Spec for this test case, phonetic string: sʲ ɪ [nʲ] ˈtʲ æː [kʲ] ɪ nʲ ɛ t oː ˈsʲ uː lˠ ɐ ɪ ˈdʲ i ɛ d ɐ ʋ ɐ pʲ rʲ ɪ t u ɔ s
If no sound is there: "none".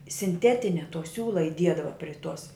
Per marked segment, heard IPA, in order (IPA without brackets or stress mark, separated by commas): nʲ, tʲ